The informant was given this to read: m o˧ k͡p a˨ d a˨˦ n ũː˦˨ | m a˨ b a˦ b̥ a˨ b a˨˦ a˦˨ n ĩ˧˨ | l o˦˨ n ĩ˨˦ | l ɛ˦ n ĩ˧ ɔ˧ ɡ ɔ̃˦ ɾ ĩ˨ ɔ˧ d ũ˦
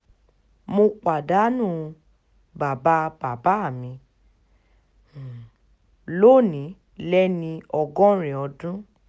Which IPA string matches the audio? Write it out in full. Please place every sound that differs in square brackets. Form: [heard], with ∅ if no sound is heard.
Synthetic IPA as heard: m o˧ k͡p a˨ d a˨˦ n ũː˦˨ | [b] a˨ b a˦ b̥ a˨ b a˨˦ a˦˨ [m] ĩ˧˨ | l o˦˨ n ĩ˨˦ | l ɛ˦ n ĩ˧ ɔ˧ ɡ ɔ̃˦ ɾ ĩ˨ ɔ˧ d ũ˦